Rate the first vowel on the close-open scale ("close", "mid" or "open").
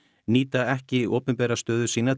close